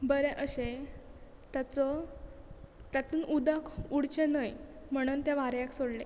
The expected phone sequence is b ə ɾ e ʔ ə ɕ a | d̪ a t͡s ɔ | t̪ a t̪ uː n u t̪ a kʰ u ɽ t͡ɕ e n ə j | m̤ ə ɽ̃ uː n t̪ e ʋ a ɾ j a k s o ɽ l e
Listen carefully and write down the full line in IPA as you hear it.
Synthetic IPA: b ə ɾ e ʔ ə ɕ e | t̪ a t͡s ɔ | t̪ a t̪ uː n u d̪ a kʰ u ɽ t͡ɕ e n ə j | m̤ ə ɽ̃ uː n t̪ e ʋ a ɾ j a k s o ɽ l e